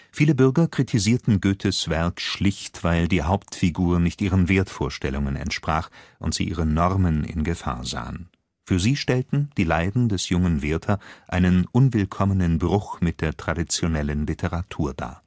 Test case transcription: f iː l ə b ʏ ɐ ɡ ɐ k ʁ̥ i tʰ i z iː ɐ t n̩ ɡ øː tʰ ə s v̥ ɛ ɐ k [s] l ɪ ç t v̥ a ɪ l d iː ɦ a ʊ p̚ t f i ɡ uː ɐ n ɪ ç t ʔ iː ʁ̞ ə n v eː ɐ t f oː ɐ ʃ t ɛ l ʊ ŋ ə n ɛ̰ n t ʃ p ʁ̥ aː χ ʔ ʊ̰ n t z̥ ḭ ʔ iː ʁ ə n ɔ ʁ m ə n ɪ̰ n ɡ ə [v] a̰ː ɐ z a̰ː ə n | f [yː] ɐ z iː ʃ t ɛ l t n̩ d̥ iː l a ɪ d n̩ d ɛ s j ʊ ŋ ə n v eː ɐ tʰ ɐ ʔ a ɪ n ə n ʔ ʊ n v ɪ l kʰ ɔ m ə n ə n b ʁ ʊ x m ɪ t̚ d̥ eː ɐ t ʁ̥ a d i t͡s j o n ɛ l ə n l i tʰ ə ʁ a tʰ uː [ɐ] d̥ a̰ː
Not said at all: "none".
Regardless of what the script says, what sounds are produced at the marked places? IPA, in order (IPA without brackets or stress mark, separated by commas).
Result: ʃ, f, yː, ɐ